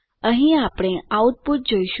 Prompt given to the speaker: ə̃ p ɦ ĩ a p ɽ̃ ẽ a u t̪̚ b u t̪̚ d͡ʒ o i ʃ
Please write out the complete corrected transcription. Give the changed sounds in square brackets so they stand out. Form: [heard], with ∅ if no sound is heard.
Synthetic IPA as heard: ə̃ [∅] ɦ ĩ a p ɽ̃ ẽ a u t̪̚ [p] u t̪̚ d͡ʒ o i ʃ